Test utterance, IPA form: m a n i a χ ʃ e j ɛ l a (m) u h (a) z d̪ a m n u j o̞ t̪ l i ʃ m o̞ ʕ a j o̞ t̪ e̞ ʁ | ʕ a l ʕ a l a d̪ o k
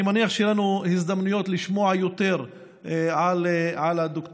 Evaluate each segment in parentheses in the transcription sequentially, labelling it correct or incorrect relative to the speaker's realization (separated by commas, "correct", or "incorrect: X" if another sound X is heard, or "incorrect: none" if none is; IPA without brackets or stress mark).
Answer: incorrect: n, incorrect: i